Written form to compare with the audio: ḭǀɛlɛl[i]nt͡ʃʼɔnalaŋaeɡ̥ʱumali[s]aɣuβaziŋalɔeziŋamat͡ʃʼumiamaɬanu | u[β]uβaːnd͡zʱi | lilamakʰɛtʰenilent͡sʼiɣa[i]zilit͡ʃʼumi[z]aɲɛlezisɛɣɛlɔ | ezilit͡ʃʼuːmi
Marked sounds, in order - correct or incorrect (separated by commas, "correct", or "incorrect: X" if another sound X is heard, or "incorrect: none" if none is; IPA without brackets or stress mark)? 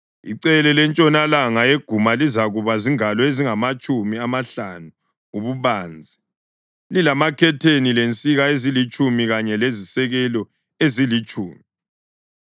incorrect: ɛ, incorrect: z, correct, incorrect: e, incorrect: ɣ